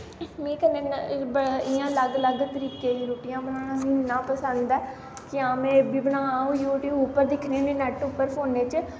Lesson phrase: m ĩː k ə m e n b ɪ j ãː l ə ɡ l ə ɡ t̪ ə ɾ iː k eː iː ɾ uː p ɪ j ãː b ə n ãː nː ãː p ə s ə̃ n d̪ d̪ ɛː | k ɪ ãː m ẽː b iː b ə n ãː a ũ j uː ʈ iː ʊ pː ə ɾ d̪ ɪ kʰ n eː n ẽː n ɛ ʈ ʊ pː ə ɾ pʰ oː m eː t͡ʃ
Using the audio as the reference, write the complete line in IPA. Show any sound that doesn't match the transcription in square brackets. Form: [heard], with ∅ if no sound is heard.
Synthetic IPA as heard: m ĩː k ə [n] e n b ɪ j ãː l ə ɡ l ə ɡ t̪ ə ɾ iː k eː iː ɾ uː p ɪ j ãː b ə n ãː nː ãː p ə s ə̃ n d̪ d̪ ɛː | k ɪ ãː m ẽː b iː b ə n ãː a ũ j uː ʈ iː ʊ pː ə ɾ d̪ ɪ kʰ n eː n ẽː n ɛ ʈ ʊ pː ə ɾ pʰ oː [n] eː t͡ʃ

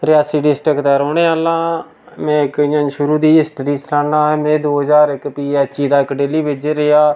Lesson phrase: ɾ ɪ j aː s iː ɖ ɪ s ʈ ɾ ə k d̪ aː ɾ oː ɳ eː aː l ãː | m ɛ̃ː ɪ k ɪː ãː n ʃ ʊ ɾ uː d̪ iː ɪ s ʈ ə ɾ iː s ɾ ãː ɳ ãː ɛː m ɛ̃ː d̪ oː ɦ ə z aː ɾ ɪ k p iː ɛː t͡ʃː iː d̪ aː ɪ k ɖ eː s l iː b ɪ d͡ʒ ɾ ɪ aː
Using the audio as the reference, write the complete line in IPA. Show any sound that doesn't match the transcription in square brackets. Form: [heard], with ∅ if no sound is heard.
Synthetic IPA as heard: ɾ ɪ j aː s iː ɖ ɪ s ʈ ɾ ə k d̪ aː ɾ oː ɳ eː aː l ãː | m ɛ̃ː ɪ k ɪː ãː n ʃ ʊ ɾ uː d̪ iː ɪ s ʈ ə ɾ iː s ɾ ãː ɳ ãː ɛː m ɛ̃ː d̪ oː ɦ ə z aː ɾ ɪ k p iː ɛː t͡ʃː iː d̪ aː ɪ k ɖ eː [∅] l iː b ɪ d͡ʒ ɾ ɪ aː

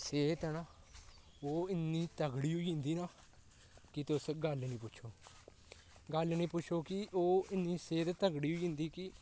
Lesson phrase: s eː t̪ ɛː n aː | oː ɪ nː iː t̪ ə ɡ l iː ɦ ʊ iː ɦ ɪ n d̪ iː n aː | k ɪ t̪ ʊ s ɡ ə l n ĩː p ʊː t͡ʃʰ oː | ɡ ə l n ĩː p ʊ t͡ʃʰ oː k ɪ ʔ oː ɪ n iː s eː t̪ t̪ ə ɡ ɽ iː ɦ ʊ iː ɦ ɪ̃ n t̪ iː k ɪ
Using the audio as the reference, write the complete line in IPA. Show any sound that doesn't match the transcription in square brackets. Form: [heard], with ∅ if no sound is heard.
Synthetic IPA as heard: s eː t̪ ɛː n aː | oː ɪ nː iː t̪ ə ɡ [ɽ] iː ɦ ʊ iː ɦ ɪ n d̪ iː n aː | k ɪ t̪ ʊ s ɡ ə l n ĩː p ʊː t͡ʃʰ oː | ɡ ə l n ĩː p ʊ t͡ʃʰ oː k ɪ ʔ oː ɪ n iː s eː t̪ t̪ ə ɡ ɽ iː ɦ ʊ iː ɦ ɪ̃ n [d̪] iː k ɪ

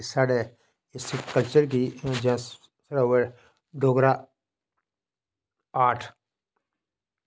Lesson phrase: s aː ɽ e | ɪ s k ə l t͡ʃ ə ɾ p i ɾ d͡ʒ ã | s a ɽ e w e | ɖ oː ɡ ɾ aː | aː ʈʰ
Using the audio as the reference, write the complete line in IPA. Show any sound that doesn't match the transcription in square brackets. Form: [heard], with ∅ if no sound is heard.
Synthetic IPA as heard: s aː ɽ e | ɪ s k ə l t͡ʃ ə ɾ [k] i [∅] d͡ʒ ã | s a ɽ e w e | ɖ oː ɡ ɾ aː | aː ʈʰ

